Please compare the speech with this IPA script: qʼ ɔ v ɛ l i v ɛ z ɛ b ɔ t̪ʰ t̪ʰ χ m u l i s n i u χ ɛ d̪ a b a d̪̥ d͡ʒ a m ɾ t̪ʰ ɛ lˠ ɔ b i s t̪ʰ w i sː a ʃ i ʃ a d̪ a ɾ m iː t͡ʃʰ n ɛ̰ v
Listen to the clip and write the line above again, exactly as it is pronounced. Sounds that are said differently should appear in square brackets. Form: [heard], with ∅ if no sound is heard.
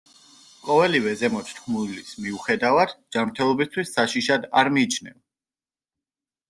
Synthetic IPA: qʼ ɔ v ɛ l i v ɛ z ɛ [m] ɔ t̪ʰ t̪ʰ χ m u l i s [m] i u χ ɛ d̪ a [v] a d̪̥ d͡ʒ a m ɾ t̪ʰ ɛ lˠ ɔ b i s t̪ʰ w i sː a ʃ i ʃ a d̪ a ɾ m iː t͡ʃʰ n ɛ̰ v

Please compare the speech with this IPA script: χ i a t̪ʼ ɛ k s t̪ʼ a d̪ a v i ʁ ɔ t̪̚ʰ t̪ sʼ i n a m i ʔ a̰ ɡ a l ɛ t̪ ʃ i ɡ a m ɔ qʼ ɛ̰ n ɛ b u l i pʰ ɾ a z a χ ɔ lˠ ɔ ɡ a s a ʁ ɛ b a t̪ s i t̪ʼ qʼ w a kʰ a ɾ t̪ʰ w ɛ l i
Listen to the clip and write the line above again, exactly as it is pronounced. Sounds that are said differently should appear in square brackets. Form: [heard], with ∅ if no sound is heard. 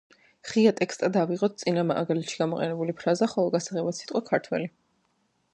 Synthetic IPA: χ i a t̪ʼ ɛ k s t̪ʼ a d̪ a v i ʁ ɔ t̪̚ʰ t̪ sʼ i n a m [a] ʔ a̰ ɡ a l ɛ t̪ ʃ i ɡ a m ɔ qʼ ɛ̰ n ɛ b u l i pʰ ɾ a z a χ ɔ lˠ ɔ ɡ a s a ʁ ɛ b a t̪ s i t̪ʼ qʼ w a kʰ a ɾ t̪ʰ w ɛ l i

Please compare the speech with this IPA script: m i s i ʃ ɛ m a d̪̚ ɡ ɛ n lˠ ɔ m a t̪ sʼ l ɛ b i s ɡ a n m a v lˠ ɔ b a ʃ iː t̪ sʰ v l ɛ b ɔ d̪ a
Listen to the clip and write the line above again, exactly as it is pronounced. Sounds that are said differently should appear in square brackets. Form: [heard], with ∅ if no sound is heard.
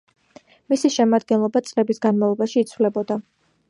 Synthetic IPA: m i s i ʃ ɛ m a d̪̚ ɡ ɛ n lˠ ɔ [b] a t̪ sʼ l ɛ b i s ɡ a n m a v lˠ ɔ b a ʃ iː t̪ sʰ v l ɛ b ɔ d̪ a

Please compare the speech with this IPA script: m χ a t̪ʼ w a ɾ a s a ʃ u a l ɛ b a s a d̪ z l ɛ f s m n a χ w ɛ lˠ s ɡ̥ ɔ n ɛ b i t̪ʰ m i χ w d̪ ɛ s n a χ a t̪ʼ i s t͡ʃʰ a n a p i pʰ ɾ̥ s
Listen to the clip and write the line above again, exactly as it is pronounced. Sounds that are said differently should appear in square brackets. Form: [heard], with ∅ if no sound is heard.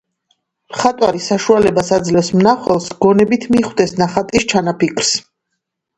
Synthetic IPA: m χ a t̪ʼ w a ɾ [i] s a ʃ u a l ɛ b a s a d̪ z l ɛ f s m n a χ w ɛ lˠ s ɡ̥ ɔ n ɛ b i t̪ʰ m i χ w d̪ ɛ s n a χ a t̪ʼ i s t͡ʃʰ a n a p i [kʰ] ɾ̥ s

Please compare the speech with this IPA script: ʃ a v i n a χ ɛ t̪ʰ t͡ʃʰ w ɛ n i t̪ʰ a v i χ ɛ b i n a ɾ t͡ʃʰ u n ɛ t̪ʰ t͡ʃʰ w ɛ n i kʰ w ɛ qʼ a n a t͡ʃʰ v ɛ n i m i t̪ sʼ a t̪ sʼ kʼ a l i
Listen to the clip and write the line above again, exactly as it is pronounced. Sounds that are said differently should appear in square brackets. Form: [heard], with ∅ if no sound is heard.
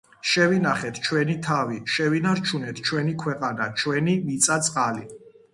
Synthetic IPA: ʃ [ɛ] v i n a χ ɛ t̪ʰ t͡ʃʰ w ɛ n i t̪ʰ a v i [ʃ] ɛ [v] i n a ɾ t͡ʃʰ u n ɛ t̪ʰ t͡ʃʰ w ɛ n i kʰ w ɛ qʼ a n a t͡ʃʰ [w] ɛ n i m i t̪ sʼ a t̪ sʼ [qʼ] a l i

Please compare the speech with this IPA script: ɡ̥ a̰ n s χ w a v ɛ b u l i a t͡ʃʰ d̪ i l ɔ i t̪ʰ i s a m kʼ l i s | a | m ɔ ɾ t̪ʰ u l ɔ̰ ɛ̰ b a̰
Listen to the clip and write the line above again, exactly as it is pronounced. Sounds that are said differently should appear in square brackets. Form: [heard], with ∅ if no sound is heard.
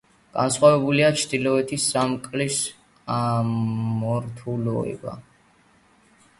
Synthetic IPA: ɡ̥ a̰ n s χ w a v ɛ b u l i a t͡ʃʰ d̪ i l ɔ [ɛ] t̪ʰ i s a m kʼ l i s | a | m ɔ ɾ t̪ʰ u l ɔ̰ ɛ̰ b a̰

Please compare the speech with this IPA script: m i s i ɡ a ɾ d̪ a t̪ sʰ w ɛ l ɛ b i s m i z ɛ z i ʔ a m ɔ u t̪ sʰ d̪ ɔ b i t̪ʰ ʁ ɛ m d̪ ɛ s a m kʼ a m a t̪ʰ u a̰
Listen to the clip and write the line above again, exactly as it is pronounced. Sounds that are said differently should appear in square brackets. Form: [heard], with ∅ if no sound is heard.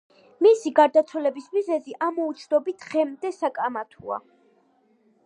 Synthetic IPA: m i s i ɡ a ɾ d̪ a t̪ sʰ w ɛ l ɛ b i s m i z ɛ z i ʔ a m ɔ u t̪ sʰ d̪ ɔ b i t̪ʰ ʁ ɛ m d̪ ɛ s a [∅] kʼ a m a t̪ʰ u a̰

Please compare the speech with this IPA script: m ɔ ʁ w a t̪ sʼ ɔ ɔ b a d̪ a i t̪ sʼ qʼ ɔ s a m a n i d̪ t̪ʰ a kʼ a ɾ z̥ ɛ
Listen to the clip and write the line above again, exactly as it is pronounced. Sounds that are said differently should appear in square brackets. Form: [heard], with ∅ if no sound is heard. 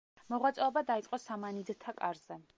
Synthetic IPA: m ɔ ʁ w a t̪ sʼ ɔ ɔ b a d̪ a i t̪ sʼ qʼ ɔ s a m a n i d̪ t̪ʰ a kʼ a ɾ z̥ ɛ

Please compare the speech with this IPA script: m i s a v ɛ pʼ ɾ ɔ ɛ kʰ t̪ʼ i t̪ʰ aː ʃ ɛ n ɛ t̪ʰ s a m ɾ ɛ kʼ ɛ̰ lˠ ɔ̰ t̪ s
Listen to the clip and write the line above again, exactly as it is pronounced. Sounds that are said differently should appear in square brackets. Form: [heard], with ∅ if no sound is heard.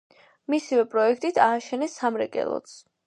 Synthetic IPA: m i s [i] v ɛ pʼ ɾ ɔ ɛ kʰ t̪ʼ i t̪ʰ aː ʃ ɛ n ɛ [∅] s a m ɾ ɛ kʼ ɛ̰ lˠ ɔ̰ t̪ s

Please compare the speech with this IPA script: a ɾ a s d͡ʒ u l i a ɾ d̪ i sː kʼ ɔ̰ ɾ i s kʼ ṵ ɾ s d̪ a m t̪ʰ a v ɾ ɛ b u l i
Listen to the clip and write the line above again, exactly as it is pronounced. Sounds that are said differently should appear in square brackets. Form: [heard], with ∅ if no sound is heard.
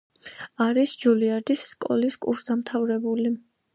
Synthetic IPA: a ɾ [i] s d͡ʒ u l i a ɾ d̪ i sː kʼ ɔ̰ [l] i s kʼ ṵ ɾ s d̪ a m t̪ʰ a v ɾ ɛ b u l i

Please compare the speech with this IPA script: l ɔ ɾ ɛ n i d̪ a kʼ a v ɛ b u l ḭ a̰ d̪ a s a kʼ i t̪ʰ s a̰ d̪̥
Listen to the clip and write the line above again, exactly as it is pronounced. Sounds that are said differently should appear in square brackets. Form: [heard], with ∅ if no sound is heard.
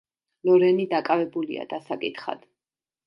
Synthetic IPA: l ɔ ɾ ɛ n i d̪ a kʼ a v ɛ b u l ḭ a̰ d̪ a s a kʼ i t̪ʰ [χ] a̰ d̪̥

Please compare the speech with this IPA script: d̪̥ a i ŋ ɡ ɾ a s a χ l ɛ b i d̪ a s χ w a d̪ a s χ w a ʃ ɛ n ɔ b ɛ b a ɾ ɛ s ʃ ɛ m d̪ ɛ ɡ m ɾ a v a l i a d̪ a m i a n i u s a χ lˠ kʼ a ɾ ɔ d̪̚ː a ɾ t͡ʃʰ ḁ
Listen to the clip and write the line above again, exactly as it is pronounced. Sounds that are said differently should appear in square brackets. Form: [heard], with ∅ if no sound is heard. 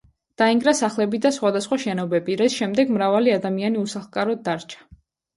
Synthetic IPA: d̪̥ a i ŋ ɡ ɾ a s a χ l ɛ b i d̪ a s χ w a d̪ a s χ w a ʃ ɛ n ɔ b ɛ b [i] ɾ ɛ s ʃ ɛ m d̪ ɛ ɡ m ɾ a v a l i a d̪ a m i a n i u s a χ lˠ kʼ a ɾ ɔ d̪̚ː a ɾ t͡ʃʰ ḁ

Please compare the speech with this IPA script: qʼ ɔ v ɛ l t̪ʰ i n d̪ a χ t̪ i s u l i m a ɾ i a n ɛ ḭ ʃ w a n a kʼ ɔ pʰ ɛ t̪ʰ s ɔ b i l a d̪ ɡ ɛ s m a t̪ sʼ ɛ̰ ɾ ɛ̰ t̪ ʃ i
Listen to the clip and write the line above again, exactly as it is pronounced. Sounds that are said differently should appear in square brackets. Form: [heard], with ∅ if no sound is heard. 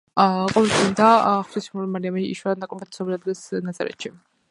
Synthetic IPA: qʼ ɔ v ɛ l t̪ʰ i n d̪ a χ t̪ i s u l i m a ɾ i a [m] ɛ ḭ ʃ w a n a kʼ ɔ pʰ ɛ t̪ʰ s ɔ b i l a d̪ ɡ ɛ s [n] a t̪ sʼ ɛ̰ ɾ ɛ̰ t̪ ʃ i

